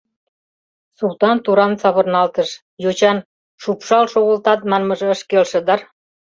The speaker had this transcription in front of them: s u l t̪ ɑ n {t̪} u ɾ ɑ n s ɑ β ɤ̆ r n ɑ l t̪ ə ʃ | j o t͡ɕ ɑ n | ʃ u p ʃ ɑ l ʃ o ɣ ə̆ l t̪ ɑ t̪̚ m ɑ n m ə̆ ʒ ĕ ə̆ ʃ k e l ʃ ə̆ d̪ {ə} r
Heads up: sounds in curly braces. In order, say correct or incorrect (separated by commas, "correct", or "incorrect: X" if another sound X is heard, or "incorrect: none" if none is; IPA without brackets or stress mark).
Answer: correct, incorrect: ɑ